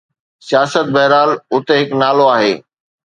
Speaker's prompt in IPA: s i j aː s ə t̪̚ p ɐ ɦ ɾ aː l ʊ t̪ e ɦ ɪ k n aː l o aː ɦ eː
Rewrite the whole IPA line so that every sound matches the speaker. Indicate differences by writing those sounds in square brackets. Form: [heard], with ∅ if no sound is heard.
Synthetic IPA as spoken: s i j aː s ə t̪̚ [b] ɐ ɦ ɾ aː l ʊ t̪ e ɦ ɪ k n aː l o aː ɦ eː